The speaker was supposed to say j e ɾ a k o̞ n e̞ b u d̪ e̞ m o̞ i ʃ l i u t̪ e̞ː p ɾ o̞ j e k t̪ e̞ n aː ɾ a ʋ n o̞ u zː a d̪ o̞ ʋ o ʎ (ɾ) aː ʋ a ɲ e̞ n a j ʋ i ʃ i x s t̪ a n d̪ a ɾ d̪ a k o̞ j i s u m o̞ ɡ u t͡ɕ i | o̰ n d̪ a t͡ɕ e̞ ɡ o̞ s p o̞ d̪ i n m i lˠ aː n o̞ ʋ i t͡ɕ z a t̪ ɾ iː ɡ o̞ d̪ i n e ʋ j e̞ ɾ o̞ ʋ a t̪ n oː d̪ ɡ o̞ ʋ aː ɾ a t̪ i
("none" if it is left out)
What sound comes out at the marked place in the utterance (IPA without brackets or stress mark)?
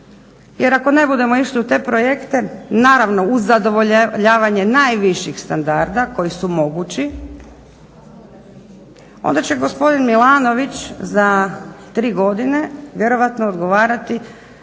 ʎ